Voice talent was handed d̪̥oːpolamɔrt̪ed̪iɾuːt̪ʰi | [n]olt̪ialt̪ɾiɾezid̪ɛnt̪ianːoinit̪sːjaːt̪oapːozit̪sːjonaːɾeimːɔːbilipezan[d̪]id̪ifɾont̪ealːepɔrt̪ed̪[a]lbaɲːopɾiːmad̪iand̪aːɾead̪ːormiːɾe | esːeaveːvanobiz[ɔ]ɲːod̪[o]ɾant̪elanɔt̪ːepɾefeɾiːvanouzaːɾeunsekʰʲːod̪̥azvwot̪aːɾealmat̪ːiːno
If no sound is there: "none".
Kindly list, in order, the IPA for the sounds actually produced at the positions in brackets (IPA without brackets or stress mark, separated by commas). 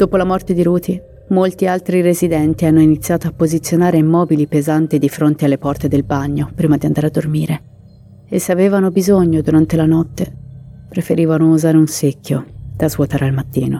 m, t̪, e, o, u